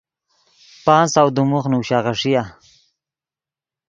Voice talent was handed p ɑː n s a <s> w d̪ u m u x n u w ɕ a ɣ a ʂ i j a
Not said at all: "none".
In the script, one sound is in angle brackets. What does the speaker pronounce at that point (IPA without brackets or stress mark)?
none